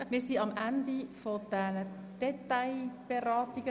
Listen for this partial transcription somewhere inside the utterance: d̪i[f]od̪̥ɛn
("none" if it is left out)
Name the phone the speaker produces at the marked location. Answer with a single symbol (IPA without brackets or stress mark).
f